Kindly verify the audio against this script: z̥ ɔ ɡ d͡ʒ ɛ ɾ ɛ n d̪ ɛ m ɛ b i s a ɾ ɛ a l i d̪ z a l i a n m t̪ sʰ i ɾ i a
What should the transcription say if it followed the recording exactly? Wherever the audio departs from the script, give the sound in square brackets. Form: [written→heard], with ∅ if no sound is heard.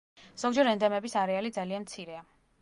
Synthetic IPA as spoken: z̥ ɔ ɡ d͡ʒ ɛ ɾ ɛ n d̪ ɛ m ɛ b i s a ɾ ɛ a l i d̪ z a l i a n m t̪ sʰ i ɾ [i→ɛ] a